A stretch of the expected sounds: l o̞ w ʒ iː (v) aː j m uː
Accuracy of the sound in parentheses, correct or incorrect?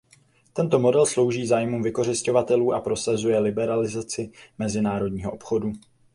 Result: incorrect